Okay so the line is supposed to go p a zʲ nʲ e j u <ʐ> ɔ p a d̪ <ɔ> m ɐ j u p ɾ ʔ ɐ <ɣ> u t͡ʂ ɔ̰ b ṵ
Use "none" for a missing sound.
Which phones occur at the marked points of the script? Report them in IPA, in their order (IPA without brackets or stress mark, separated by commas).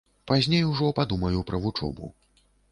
ʐ, u, v